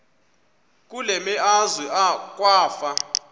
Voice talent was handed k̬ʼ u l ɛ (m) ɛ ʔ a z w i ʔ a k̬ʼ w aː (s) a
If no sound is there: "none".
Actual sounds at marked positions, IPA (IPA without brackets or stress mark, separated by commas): m, f